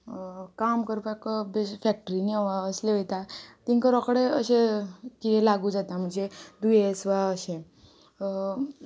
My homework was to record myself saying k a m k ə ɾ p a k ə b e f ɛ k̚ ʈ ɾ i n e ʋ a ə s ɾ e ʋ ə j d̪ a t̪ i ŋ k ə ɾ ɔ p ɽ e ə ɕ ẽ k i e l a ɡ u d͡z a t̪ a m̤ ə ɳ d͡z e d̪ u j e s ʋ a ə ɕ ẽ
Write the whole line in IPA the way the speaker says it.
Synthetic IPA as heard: k a m k ə ɾ p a k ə b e f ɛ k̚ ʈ ɾ i n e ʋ a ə s l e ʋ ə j t̪ a t̪ i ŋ k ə ɾ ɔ k ɽ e ə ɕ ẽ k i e l a ɡ u d͡z a t̪ a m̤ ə ɳ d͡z e d̪ u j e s ʋ a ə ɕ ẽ

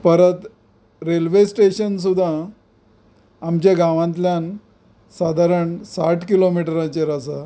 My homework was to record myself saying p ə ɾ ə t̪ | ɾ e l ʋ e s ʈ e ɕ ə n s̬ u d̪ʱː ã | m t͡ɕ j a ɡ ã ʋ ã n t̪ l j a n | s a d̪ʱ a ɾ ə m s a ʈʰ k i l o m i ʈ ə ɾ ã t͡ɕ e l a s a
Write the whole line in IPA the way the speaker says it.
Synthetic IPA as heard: p ə ɾ ə t̪ | ɾ e l ʋ e s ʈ e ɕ ə n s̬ u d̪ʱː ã | m t͡ɕ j a ɡ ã ʋ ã n t̪ l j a n | s a d̪ʱ a ɾ ə ɳ s a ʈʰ k i l o m i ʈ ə ɾ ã t͡ɕ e ɾ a s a

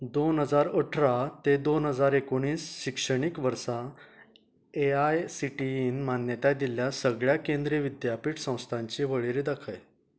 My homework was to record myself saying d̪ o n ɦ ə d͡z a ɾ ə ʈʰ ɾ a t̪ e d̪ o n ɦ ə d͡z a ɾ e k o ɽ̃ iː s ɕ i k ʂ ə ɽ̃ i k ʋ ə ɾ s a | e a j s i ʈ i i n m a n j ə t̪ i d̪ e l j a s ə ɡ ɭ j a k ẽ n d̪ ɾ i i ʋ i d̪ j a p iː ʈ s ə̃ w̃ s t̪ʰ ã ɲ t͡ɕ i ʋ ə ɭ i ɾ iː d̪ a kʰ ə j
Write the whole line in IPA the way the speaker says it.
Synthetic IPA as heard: d̪ o n ɦ ə d͡z a ɾ ə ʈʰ ɾ a t̪ e d̪ o n ɦ ə d͡z a ɾ e k o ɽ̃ iː s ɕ i k ʂ ə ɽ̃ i k ʋ ə ɾ s a | e a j s i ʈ i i n m a n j ə t̪ a d̪ i l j a s ə ɡ ɭ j a k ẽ n d̪ ɾ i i ʋ i d̪ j a p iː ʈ s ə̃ w̃ s t̪ʰ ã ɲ t͡ɕ i ʋ ə ɭ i ɾ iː d̪ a kʰ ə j

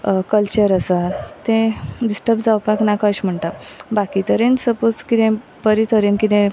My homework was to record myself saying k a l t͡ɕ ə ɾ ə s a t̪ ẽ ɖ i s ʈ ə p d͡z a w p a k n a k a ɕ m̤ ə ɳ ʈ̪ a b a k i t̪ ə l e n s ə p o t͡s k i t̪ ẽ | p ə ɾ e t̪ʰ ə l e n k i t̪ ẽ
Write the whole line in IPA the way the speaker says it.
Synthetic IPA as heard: k ə l t͡ɕ ə ɾ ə s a t̪ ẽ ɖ i s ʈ ə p d͡z a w p a k n a k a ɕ m̤ ə ɳ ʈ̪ a b a k i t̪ ə ɾ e n s ə p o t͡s k i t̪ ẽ | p ə ɾ i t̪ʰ ə ɾ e n k i t̪ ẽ

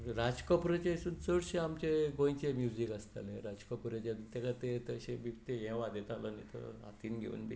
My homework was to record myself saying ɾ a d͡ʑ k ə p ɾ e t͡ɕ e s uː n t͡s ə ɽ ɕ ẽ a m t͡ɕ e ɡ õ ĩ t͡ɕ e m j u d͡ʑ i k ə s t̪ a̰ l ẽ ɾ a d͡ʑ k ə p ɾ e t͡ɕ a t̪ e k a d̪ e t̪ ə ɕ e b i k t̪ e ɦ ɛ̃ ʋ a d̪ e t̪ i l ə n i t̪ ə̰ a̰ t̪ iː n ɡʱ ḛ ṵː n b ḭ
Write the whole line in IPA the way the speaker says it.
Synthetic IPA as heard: ɾ a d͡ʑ k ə p ɾ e t͡ɕ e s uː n t͡s ə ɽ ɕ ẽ a m t͡ɕ e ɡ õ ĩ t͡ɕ e m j u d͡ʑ i k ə s t̪ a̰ l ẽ ɾ a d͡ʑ k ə p ɾ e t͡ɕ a t̪ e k a t̪ e t̪ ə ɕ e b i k t̪ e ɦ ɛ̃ ʋ a d̪ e t̪ a l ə n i t̪ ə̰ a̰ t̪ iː n ɡʱ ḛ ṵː n b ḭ

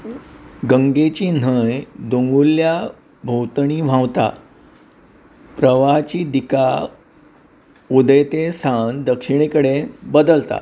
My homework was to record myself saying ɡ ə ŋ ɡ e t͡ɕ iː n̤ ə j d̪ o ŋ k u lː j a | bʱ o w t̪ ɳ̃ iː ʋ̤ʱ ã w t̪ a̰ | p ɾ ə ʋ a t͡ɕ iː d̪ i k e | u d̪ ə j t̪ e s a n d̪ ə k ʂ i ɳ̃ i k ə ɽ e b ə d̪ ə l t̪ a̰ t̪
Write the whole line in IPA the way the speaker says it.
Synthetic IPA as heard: ɡ ə ŋ ɡ e t͡ɕ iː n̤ ə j d̪ o ŋ ɡ u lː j a | bʱ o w t̪ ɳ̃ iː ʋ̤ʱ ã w t̪ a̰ | p ɾ ə ʋ a t͡ɕ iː d̪ i k a | u d̪ ə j t̪ e s a n d̪ ə k ʂ i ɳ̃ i k ə ɽ e b ə d̪ ə l t̪ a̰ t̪

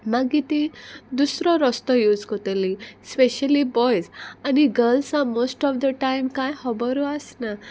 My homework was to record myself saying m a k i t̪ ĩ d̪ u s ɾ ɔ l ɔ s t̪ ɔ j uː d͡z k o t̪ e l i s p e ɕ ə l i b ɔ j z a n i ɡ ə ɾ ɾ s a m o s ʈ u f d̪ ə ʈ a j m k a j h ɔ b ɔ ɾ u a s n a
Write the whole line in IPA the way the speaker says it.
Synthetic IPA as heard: m a ɡ i t̪ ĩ d̪ u s ɾ ɔ ɾ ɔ s t̪ ɔ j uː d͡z k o t̪ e l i s p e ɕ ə l i b ɔ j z a n i ɡ ə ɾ l s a m o s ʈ ɔ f d̪ ə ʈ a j m k a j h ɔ b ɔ ɾ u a s n a

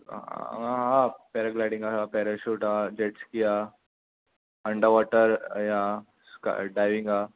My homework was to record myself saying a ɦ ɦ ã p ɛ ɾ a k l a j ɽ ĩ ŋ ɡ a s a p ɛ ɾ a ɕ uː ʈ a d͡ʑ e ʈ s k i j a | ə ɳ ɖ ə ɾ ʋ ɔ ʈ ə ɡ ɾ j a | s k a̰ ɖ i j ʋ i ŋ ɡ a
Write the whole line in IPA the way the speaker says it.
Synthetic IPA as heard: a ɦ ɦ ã p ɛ ɾ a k l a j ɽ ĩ ŋ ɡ a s a p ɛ ɾ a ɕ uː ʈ a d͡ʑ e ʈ s k i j a | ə ɳ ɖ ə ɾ ʋ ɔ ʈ ə ɾ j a | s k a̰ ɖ a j ʋ i ŋ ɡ a

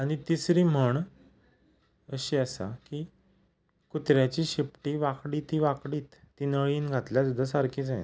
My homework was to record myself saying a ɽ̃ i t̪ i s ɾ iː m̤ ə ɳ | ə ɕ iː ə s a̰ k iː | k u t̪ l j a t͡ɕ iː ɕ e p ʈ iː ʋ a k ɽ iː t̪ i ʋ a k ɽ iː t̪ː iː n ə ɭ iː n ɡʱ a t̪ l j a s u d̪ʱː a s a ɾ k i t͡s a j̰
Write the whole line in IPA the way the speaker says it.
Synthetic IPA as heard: a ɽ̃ i t̪ i s ɾ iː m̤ ə ɳ | ə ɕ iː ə s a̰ k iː | k u t̪ ɾ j a t͡ɕ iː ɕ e p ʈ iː ʋ a k ɽ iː t̪ i ʋ a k ɽ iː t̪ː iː n ə ɭ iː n ɡʱ a t̪ l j a s u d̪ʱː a s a ɾ k i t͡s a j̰

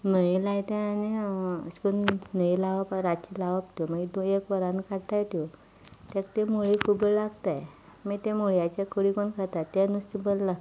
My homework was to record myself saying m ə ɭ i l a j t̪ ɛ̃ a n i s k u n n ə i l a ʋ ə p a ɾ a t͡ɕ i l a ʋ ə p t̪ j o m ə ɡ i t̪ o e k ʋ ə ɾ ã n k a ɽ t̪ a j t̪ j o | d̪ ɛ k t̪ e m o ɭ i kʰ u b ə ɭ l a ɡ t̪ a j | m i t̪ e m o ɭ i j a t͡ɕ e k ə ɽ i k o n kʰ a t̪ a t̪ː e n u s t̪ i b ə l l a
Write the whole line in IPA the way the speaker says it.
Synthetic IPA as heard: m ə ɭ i l a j t̪ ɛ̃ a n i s k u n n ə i l a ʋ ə p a ɾ a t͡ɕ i l a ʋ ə p t̪ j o m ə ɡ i d̪ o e k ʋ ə ɾ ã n k a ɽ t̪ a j t̪ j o | t̪ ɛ k t̪ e m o ɭ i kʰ u b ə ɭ l a ɡ t̪ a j | m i t̪ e m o ɭ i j a t͡ɕ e k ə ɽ i k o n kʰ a t̪ a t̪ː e n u s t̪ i b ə l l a

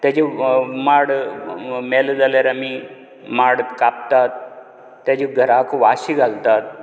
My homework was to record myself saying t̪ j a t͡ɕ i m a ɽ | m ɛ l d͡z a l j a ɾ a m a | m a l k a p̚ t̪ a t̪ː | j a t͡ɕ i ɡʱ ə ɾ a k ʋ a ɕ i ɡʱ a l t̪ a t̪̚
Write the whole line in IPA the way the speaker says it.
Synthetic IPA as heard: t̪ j a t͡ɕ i m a ɽ | m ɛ l d͡z a l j a ɾ a m i | m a ɽ k a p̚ t̪ a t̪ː | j a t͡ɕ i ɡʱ ə ɾ a k ʋ a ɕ i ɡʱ a l t̪ a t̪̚

